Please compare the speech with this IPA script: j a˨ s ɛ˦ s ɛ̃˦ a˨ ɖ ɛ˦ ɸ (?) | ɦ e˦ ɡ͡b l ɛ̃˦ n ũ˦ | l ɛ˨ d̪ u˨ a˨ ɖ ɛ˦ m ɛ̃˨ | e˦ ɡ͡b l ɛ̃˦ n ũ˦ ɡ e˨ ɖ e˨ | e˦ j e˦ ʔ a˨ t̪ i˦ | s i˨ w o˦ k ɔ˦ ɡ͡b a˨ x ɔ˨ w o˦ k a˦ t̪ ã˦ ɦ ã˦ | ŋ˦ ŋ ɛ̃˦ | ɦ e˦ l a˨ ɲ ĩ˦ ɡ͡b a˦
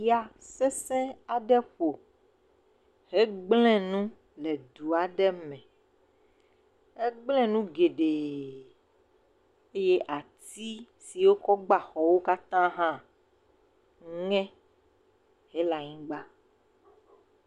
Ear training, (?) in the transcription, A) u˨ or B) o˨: B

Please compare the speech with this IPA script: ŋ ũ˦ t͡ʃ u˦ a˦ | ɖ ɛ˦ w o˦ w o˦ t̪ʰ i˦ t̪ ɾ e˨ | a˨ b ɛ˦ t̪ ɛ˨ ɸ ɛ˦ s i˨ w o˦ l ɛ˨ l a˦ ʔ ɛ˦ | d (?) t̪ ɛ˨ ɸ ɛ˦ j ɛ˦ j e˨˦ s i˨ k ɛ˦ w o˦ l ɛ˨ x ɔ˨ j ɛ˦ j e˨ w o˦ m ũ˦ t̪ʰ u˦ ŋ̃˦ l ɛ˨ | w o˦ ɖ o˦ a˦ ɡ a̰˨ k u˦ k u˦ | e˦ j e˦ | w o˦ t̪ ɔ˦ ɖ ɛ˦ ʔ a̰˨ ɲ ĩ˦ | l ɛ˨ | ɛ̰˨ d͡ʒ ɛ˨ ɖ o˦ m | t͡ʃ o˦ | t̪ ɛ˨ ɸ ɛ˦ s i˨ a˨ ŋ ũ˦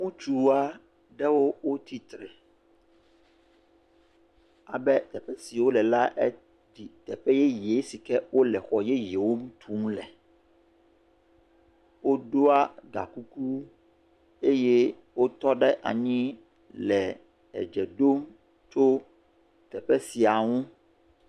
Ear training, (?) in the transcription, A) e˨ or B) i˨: B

